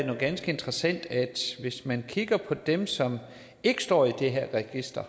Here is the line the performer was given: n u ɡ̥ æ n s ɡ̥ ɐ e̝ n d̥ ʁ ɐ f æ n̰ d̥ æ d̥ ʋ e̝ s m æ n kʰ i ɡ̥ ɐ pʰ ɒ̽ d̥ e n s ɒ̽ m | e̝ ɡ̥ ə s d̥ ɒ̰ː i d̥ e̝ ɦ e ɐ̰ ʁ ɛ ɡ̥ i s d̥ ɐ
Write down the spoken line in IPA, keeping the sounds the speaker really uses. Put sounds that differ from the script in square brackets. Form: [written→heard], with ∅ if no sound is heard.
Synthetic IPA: n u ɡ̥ æ n s ɡ̥ [ɐ→ə] e̝ n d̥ ʁ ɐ [f→s] æ n̰ d̥ æ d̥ ʋ e̝ s m æ n kʰ i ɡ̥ ɐ pʰ ɒ̽ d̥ e [n→m] s ɒ̽ m | e̝ ɡ̥ ə s d̥ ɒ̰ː i d̥ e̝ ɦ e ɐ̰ ʁ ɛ ɡ̥ i s d̥ ɐ